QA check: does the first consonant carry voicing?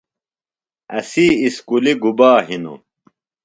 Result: no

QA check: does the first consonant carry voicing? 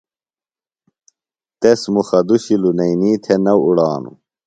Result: no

